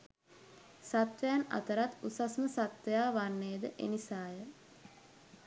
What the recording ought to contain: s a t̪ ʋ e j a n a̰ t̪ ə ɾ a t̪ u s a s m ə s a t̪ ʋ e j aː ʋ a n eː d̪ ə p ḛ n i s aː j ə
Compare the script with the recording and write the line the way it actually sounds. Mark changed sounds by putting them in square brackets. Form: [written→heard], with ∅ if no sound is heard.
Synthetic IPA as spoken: s a t̪ ʋ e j a n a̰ t̪ ə ɾ a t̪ u s a s m ə s a t̪ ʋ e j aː ʋ a [n→nː] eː d̪ ə [p→ʔ] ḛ n i s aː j ə